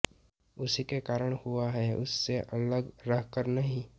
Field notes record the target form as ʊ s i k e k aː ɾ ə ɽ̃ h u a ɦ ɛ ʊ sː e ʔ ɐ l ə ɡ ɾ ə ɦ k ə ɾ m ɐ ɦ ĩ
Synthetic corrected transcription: ʊ s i k e k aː ɾ ə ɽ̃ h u a ɦ ɛ ʊ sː e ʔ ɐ l ə ɡ ɾ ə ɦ k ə ɾ n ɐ ɦ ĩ